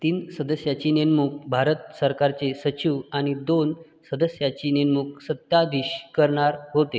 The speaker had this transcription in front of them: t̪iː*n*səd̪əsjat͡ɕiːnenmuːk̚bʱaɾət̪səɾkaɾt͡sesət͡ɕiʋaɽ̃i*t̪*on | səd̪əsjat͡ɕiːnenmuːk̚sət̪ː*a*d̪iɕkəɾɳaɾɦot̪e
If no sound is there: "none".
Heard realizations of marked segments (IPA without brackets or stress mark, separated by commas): n, d̪, a